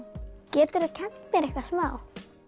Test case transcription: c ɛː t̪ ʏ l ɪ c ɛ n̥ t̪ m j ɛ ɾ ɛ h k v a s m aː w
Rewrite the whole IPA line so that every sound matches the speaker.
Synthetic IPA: c ɛː t̪ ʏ ɾ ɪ cʰ ɛ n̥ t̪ m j ɛ ɾ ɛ h k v a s m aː w